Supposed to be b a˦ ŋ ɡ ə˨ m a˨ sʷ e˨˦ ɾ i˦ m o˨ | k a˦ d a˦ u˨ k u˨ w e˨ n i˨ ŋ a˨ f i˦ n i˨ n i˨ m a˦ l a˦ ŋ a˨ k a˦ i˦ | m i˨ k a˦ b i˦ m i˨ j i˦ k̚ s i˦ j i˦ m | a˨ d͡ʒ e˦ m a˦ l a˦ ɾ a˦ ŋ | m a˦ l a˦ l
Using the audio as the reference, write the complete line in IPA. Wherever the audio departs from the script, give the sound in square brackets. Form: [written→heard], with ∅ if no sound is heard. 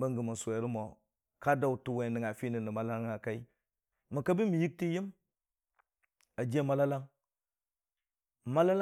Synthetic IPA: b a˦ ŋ ɡ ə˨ m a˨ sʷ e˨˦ ɾ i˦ m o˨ | k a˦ d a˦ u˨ [k→t] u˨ w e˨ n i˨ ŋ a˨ f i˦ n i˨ n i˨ m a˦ l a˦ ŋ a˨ k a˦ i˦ | m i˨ k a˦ b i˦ m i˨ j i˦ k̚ [s→t] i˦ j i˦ m | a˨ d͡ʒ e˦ m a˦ l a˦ [ɾ→l] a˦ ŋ | m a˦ l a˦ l